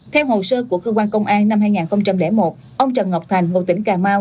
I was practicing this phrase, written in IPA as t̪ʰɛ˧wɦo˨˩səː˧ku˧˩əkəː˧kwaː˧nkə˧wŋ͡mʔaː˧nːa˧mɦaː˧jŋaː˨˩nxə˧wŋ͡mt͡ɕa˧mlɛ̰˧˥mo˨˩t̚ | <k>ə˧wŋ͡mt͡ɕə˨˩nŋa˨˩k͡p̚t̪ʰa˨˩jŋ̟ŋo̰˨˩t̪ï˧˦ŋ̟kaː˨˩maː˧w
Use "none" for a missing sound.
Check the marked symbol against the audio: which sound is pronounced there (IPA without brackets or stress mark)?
ʔ